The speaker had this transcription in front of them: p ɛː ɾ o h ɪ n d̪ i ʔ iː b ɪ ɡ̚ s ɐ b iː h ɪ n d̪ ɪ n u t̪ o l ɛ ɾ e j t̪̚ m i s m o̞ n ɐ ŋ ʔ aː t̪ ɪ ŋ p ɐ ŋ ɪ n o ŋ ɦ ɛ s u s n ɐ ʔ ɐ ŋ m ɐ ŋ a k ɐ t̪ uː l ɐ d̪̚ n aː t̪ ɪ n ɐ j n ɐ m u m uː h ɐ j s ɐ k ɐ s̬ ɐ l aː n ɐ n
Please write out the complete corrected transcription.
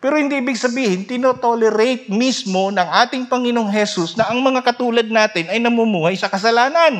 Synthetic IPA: p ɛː ɾ o h ɪ n d̪ i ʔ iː b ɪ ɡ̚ s ɐ b iː h ɪ n t̪ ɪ n o t̪ o l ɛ ɾ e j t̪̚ m i s m o̞ n ɐ ŋ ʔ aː t̪ ɪ ŋ p ɐ ŋ ɪ n o ŋ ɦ ɛ s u s n ɐ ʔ ɐ ŋ m ɐ ŋ a k ɐ t̪ uː l ɐ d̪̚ n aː t̪ ɪ n ɐ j n ɐ m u m uː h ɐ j s ɐ k ɐ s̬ ɐ l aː n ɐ n